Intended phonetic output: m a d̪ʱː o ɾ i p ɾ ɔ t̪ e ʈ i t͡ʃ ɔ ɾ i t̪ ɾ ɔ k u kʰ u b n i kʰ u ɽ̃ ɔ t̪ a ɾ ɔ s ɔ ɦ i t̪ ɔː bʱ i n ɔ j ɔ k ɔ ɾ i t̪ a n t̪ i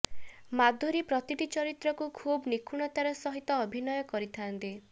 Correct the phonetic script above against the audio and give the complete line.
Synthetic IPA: m a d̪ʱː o ɾ i p ɾ ɔ t̪ i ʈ i t͡ʃ ɔ ɾ i t̪ ɾ ɔ k u kʰ u b n i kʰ u ɽ̃ ɔ t̪ a ɾ ɔ s ɔ ɦ i t̪ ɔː bʱ i n ɔ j ɔ k ɔ ɾ i t̪ʰ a n t̪ i

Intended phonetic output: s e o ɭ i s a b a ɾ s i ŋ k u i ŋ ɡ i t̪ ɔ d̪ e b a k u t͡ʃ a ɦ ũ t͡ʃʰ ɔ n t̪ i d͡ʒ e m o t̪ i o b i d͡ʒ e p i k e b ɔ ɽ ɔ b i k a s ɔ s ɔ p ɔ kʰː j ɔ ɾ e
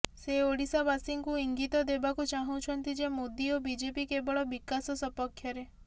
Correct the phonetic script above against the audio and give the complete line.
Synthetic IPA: s e o ɽ i s a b a s i ŋ k u i ŋ ɡ i t̪ ɔ d̪ e b a k u t͡ʃ a ɦ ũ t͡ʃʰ ɔ n t̪ i d͡ʒ e m o d̪ i o b i d͡ʒ e p i k e b ɔ ɭ ɔ b i k a s ɔ s ɔ p ɔ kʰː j ɔ ɾ e

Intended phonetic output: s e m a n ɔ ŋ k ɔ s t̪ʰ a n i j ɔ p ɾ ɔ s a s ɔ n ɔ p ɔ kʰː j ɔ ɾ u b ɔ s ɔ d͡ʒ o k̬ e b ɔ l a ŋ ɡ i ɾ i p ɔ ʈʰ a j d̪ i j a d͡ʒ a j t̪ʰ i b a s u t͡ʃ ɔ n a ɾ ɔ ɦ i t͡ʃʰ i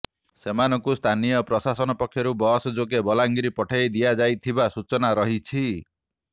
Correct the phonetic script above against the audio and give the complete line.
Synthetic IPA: s e m a n ɔ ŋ k u s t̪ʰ a n i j ɔ p ɾ ɔ s a s ɔ n ɔ p ɔ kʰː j ɔ ɾ u b ɔ s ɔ d͡ʒ o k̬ e b ɔ l a ŋ ɡ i ɾ i p ɔ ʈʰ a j d̪ i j a d͡ʒ a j t̪ʰ i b a s u t͡ʃ ɔ n a ɾ ɔ ɦ i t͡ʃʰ i

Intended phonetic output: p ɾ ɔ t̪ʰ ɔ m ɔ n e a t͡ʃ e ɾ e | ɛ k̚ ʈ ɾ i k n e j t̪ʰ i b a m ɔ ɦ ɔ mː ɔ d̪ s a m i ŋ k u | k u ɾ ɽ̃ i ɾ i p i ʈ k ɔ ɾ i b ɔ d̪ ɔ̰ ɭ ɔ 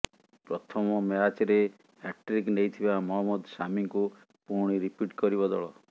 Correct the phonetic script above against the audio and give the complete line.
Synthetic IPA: p ɾ ɔ t̪ʰ ɔ m ɔ m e a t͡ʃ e ɾ e | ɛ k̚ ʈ ɾ i k n e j t̪ʰ i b a m ɔ ɦ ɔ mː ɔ d̪ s a m i ŋ k u | p u ɾ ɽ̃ i ɾ i p i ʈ k ɔ ɾ i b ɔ d̪ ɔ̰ ɭ ɔ

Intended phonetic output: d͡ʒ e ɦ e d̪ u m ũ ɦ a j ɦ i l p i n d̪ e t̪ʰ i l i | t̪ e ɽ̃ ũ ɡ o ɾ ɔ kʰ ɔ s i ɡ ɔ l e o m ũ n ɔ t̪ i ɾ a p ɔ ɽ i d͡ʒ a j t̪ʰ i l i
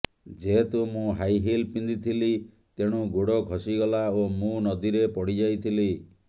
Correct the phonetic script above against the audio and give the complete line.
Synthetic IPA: d͡ʒ e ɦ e t̪ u m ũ ɦ a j ɦ i l p i n d̪ i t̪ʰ i l i | t̪ e ɽ̃ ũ ɡ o ɽ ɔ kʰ ɔ s i ɡ ɔ l a o m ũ n ɔ d̪ i ɾ e p ɔ ɽ i d͡ʒ a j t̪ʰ i l i

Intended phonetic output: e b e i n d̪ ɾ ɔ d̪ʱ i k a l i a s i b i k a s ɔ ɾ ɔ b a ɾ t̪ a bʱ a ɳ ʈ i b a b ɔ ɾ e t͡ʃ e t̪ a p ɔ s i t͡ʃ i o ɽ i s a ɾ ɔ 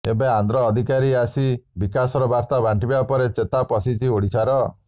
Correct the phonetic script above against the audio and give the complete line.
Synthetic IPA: e b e a n d̪ ɾ ɔː d̪ʱ i k a ɾ i a s i b i k a s ɔ ɾ ɔ b a ɾ t̪ a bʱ a ɳ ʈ i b a p ɔ ɾ e t͡ʃ e t̪ a p ɔ s i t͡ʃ i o ɽ i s a ɾ ɔ

